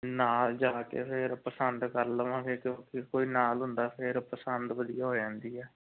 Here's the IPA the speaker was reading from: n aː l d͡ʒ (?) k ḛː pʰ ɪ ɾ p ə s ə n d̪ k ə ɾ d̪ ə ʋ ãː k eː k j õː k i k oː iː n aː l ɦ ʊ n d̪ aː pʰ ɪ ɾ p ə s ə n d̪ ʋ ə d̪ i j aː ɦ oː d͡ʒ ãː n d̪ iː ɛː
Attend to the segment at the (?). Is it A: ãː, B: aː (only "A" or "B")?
B